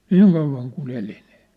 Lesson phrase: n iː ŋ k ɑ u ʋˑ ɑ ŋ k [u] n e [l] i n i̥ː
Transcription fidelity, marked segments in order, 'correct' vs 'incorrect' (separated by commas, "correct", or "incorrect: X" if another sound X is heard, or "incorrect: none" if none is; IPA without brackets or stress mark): correct, correct